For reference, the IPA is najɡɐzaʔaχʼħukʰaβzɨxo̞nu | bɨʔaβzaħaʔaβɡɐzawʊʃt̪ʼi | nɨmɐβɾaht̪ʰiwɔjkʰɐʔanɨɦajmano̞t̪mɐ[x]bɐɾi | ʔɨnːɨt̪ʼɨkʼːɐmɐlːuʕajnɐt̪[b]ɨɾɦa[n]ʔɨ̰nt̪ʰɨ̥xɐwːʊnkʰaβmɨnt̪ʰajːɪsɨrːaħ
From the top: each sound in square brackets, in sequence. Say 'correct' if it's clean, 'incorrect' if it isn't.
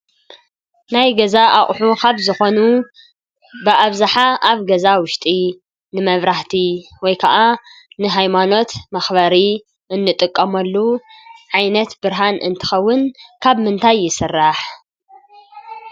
correct, correct, correct

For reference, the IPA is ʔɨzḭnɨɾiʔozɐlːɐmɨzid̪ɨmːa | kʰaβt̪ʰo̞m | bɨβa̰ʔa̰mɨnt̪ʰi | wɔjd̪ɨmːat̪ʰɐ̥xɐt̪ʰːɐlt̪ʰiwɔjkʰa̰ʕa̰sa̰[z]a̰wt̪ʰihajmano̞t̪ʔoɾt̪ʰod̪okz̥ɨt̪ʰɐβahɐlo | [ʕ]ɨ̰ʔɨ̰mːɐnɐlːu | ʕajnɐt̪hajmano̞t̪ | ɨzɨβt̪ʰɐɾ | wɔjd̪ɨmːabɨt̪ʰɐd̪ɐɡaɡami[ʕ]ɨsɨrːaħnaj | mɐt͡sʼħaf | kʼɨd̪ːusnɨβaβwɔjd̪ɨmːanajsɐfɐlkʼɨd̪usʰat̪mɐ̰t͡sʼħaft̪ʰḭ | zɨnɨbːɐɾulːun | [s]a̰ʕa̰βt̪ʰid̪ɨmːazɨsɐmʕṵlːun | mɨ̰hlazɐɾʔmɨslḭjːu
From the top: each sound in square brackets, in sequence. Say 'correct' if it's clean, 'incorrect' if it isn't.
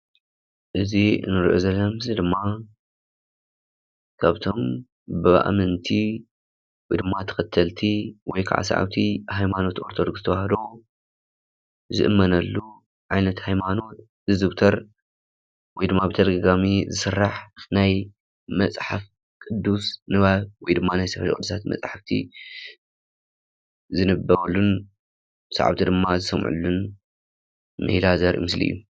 incorrect, incorrect, incorrect, correct

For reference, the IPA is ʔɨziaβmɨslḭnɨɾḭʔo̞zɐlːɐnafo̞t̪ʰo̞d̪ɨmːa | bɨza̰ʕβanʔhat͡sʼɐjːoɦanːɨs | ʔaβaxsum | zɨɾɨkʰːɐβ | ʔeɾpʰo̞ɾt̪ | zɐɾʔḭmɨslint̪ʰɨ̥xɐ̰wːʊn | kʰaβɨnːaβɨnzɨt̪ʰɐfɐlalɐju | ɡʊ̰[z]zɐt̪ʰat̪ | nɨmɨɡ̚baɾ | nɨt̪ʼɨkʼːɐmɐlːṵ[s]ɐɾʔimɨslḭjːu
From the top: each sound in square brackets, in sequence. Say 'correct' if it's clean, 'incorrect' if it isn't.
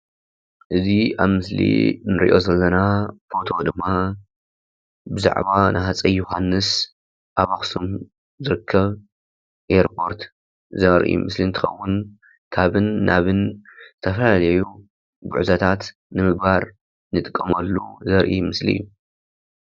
incorrect, incorrect

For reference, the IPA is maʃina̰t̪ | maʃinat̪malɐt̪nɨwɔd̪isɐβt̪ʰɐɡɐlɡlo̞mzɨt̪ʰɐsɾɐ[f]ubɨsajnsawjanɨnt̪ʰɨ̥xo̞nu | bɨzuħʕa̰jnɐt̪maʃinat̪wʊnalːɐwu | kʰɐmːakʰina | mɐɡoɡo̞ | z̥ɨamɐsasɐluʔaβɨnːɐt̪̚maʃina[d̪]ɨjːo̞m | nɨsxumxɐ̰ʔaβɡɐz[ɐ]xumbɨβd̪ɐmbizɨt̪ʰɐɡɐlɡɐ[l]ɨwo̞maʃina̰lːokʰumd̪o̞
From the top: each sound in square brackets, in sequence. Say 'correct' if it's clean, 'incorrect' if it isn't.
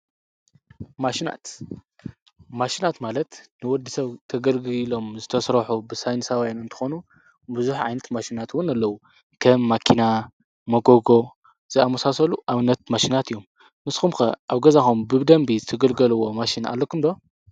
incorrect, incorrect, incorrect, correct

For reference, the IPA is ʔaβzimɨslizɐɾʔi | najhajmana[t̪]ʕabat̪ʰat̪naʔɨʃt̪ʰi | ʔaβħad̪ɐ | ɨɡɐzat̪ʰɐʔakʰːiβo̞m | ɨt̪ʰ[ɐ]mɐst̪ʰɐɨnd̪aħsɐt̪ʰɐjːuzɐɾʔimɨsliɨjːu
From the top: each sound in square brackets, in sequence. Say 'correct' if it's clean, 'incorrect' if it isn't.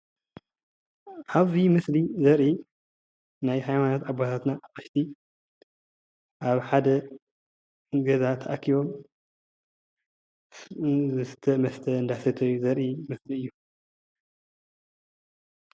correct, correct

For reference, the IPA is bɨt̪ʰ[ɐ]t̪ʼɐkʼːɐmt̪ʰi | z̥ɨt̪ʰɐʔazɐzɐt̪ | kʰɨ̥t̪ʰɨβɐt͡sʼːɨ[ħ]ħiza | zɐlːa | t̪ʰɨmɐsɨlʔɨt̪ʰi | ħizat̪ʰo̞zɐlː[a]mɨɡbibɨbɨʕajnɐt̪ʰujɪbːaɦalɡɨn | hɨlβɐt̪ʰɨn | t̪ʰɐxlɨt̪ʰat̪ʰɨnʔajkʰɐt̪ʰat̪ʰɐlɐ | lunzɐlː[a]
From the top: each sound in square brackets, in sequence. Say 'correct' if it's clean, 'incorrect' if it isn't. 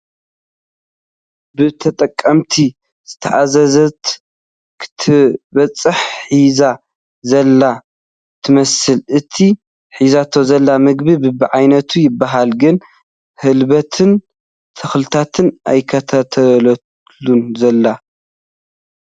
correct, correct, correct, correct

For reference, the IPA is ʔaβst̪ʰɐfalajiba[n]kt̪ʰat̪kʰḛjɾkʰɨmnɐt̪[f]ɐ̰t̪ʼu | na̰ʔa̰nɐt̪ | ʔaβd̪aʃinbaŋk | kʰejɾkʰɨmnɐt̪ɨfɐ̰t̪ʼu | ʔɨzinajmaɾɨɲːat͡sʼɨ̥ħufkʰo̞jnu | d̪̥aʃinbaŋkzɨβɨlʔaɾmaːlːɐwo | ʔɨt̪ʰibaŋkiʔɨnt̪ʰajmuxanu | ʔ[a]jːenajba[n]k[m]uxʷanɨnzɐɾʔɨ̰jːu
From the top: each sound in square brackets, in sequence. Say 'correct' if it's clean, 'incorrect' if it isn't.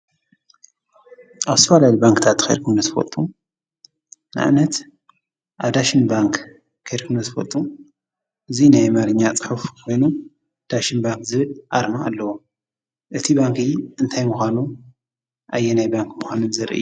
incorrect, correct, correct, incorrect, correct

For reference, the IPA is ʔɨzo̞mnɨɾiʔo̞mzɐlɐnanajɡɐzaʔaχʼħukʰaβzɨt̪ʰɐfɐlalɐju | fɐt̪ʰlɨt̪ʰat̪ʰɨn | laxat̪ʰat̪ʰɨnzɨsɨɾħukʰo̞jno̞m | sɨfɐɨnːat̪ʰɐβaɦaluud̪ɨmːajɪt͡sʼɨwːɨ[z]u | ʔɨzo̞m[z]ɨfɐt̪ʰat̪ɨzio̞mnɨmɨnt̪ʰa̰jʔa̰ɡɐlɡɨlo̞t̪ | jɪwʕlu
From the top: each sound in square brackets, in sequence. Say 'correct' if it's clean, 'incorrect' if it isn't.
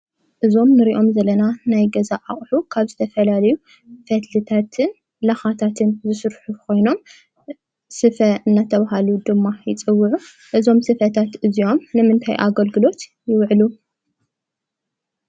incorrect, incorrect

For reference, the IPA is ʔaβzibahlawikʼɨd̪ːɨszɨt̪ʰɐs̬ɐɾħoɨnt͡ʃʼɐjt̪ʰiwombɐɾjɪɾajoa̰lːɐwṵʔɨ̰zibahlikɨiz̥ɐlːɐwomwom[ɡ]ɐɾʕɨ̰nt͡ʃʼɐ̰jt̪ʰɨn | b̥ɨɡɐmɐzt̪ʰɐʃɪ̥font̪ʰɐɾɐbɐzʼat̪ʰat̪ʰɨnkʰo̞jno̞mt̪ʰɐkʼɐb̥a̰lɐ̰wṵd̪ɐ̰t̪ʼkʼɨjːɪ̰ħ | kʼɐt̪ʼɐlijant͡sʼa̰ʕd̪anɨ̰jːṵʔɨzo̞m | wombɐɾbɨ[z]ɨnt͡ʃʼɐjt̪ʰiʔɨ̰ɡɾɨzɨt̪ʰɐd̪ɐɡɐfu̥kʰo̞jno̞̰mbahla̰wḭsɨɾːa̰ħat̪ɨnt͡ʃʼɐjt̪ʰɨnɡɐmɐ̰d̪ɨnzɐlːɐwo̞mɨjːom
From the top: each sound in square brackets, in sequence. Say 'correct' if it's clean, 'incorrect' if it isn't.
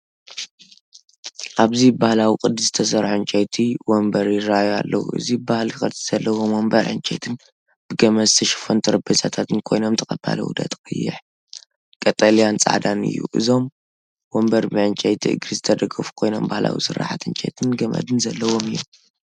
incorrect, incorrect

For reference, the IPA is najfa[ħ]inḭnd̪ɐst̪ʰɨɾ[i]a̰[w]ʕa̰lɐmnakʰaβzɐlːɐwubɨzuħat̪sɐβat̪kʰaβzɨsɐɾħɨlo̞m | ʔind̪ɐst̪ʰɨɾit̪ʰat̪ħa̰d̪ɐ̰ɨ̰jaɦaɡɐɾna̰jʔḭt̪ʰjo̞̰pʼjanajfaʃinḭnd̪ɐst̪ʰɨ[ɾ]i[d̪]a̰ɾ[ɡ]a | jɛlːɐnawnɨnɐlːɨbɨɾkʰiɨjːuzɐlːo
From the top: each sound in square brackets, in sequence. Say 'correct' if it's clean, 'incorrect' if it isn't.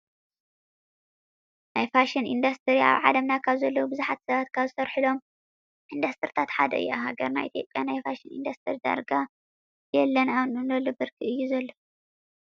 incorrect, correct, incorrect, correct, correct, correct

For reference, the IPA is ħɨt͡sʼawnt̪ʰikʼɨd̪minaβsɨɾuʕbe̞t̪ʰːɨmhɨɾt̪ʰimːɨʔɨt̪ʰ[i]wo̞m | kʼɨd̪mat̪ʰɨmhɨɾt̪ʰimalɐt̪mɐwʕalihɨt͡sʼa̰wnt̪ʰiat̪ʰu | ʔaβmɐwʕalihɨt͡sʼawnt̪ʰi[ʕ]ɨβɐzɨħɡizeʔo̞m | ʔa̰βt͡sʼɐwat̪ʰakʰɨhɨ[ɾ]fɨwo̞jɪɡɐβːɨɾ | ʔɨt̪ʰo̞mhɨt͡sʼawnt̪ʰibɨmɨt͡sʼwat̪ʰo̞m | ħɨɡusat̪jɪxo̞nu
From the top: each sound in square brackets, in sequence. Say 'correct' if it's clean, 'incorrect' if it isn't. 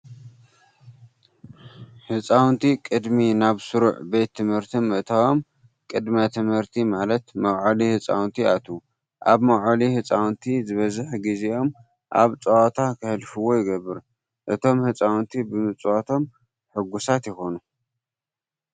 incorrect, incorrect, incorrect

